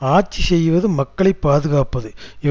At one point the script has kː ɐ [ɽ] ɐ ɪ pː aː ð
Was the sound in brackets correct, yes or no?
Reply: no